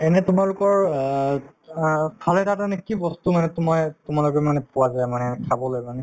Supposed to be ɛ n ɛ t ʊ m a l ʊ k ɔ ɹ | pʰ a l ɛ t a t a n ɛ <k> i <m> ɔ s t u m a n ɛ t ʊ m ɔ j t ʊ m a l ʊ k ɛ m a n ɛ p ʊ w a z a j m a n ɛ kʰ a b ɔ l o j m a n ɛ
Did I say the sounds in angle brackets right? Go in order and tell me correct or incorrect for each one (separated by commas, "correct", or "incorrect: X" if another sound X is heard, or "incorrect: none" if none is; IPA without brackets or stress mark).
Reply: correct, incorrect: b